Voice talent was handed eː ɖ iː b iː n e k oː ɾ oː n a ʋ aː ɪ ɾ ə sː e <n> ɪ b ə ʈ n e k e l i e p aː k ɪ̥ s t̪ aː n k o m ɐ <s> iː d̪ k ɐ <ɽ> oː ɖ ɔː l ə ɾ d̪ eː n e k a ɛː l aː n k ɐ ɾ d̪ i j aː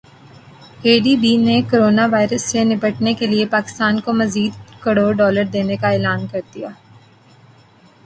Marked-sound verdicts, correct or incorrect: correct, incorrect: z, correct

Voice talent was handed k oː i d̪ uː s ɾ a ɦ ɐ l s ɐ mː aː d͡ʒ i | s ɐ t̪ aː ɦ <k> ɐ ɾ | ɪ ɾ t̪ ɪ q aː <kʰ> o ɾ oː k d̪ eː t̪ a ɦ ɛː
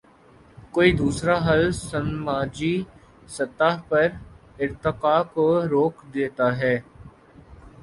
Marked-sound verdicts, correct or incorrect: incorrect: p, incorrect: k

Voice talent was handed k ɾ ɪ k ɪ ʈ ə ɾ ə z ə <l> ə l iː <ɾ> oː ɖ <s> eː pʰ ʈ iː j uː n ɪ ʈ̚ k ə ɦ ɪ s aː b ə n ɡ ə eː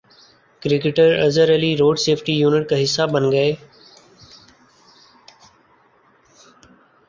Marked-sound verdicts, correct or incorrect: incorrect: ɾ, correct, correct

